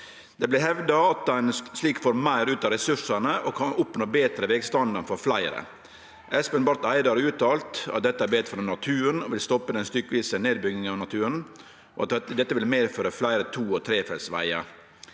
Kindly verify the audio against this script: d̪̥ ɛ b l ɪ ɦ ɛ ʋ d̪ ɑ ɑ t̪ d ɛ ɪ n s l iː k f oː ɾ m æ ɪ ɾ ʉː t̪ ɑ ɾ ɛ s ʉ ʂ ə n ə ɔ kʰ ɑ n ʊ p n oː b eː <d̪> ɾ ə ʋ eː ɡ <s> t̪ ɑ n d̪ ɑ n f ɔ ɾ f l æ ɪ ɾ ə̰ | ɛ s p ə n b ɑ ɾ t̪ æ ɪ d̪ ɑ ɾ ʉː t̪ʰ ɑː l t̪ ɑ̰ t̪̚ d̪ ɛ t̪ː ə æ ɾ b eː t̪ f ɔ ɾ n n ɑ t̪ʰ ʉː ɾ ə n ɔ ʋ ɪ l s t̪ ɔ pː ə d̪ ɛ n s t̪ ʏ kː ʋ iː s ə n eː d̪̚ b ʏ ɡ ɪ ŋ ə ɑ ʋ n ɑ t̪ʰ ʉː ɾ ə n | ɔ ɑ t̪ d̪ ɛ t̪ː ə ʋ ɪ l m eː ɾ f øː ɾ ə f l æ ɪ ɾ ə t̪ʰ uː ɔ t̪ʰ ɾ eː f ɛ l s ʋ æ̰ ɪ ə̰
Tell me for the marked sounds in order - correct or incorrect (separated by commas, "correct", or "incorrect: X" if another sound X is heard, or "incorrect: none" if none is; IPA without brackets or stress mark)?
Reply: incorrect: t̪, correct